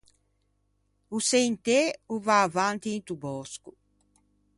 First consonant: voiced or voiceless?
voiceless